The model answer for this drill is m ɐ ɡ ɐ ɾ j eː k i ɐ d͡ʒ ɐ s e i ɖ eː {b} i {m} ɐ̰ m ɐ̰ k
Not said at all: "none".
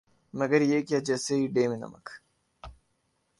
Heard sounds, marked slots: m, n

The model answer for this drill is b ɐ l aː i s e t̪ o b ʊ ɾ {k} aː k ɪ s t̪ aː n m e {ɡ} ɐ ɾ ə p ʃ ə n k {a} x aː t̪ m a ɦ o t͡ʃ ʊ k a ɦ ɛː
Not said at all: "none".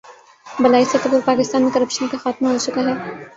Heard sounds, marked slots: p, k, a

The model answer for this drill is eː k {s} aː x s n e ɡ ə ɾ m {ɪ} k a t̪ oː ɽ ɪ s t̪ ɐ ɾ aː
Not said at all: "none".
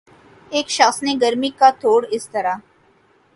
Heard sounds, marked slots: ʃ, i

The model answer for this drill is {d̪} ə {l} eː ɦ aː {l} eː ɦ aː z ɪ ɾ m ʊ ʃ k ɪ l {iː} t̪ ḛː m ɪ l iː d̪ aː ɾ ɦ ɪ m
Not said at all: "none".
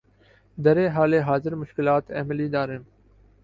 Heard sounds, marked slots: d̪, ɾ, l, aː

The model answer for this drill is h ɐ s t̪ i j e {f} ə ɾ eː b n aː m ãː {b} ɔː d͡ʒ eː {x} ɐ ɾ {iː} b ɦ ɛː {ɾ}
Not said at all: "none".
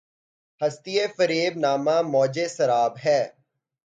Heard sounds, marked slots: f, m, s, aː, none

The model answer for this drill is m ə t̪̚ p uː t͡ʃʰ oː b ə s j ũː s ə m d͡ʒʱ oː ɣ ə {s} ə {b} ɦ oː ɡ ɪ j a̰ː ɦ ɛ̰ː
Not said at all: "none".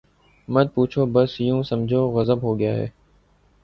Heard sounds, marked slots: z, b

